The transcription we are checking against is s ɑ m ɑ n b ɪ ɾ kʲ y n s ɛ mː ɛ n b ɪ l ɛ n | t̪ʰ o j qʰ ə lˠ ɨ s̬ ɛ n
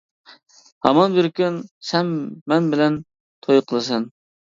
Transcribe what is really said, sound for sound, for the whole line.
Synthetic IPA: h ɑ m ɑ n b ɪ ɾ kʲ y n s ɛ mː ɛ n b ɪ l ɛ n | t̪ʰ o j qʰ ə lˠ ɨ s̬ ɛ n